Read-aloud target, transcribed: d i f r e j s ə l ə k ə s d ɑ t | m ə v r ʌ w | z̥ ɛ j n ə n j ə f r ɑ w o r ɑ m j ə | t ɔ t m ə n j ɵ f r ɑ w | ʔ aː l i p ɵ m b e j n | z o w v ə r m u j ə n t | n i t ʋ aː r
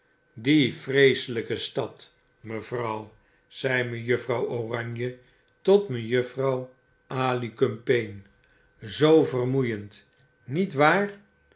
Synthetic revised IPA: d i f r e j s ə l ə k ə s t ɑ t | m ə v r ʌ w | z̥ ɛ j m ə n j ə f r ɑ w o r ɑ ɲ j ə | t ɔ t m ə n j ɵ f r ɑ w | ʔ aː l i k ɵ m p e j n | z o w v ə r m u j ə n t | n i t ʋ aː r